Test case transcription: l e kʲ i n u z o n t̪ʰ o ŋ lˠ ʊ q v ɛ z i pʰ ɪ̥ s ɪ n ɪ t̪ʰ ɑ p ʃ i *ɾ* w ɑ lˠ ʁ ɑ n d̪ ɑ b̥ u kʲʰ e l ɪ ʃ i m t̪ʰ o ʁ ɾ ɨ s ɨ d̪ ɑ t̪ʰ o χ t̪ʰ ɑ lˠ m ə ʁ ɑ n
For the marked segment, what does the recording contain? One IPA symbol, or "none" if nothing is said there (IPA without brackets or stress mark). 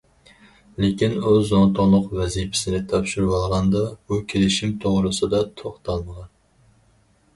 ɾ